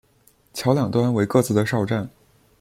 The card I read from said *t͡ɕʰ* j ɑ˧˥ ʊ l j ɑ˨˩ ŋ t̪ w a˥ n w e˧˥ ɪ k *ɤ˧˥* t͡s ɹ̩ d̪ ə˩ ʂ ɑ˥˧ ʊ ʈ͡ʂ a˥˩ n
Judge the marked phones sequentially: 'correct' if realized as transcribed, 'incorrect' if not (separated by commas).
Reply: correct, incorrect